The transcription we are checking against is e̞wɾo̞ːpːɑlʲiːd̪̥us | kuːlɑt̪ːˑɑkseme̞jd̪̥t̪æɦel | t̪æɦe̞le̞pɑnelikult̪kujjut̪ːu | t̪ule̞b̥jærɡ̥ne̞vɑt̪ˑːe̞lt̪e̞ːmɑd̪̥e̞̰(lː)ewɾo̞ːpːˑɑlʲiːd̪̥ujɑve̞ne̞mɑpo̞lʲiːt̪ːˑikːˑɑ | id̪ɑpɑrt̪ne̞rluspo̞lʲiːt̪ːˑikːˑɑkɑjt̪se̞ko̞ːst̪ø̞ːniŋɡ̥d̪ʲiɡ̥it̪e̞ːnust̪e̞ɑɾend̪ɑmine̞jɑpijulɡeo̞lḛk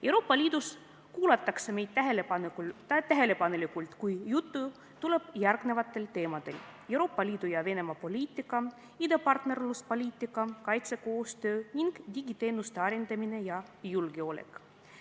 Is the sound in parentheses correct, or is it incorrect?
incorrect